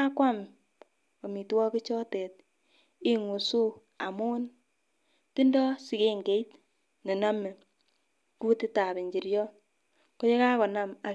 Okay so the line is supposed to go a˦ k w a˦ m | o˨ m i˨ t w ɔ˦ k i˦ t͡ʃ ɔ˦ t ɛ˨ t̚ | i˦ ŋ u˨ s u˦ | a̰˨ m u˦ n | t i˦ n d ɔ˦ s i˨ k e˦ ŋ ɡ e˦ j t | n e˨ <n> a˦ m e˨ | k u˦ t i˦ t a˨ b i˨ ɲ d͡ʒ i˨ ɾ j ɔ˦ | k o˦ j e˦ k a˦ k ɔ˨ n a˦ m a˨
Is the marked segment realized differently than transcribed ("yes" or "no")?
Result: no